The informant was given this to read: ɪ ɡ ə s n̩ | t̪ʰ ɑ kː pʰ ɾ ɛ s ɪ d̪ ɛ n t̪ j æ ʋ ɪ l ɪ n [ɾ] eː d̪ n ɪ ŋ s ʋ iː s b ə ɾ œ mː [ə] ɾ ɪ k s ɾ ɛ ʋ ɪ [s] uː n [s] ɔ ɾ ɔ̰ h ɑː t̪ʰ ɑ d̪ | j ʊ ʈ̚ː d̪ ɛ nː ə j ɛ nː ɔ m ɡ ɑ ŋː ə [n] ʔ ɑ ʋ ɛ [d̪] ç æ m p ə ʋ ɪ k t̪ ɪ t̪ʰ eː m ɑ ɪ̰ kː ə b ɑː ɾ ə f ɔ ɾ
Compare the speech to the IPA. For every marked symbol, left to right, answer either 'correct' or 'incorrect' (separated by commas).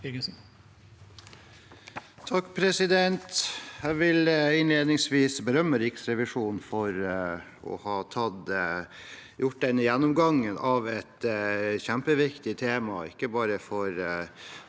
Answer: incorrect, correct, incorrect, incorrect, correct, incorrect